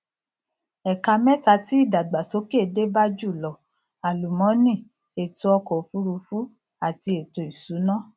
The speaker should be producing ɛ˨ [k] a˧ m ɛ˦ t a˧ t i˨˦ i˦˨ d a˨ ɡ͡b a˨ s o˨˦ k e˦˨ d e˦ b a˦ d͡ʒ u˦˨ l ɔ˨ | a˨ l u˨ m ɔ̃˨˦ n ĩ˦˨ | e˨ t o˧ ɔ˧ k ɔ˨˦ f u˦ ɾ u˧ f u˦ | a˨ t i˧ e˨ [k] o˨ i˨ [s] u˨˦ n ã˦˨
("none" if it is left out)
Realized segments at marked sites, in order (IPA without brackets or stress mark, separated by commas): k, t, s